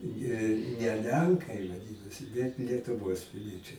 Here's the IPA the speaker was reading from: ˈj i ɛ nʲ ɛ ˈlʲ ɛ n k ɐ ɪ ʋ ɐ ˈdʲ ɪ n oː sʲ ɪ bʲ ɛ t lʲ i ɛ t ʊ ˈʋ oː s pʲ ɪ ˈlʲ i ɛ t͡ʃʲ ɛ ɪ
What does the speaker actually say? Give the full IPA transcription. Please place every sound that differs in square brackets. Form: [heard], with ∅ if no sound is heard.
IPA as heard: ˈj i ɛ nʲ ɛ ˈlʲ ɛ [ŋ] k ɐ ɪ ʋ ɐ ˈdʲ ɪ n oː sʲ ɪ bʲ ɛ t lʲ i ɛ t ʊ ˈʋ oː s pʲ ɪ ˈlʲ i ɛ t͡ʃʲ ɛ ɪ